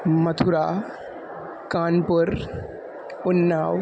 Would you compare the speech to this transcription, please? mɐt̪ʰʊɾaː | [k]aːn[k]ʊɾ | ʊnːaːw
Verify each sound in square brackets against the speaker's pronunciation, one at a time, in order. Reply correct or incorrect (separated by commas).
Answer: correct, incorrect